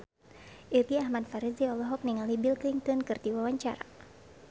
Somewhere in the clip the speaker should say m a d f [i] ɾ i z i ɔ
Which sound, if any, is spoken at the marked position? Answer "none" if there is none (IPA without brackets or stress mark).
a